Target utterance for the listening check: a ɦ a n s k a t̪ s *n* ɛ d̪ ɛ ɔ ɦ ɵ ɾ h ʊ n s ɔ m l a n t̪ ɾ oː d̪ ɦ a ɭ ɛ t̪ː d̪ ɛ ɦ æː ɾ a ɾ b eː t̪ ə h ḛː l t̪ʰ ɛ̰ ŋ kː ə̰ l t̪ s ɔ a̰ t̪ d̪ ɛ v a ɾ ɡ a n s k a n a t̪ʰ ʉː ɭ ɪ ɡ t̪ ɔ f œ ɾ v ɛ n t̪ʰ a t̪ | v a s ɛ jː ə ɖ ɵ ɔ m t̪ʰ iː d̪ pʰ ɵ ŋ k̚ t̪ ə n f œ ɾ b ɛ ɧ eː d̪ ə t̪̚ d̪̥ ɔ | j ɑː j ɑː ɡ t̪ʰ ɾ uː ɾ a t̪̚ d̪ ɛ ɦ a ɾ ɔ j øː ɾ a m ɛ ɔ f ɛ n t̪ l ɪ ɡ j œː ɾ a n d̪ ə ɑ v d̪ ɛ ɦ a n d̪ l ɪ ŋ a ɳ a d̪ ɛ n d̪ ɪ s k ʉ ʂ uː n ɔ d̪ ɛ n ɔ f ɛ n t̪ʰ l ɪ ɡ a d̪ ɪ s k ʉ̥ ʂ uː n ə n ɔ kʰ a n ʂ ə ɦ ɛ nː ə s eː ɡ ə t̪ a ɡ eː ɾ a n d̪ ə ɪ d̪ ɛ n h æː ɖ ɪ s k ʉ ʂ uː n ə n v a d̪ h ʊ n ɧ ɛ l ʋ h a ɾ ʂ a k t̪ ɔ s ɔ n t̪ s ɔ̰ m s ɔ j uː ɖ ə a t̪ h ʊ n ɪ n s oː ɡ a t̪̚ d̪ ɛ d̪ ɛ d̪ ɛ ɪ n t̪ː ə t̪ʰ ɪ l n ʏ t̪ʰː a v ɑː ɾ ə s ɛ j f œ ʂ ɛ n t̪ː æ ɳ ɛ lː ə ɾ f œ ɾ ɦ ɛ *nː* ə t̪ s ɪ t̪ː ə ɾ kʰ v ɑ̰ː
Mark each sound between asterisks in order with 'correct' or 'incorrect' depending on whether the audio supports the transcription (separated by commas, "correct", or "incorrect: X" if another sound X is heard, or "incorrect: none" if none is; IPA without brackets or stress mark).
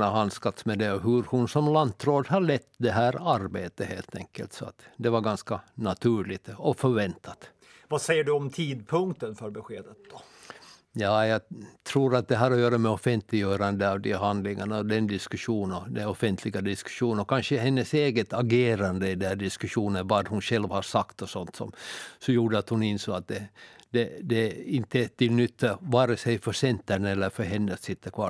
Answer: incorrect: m, correct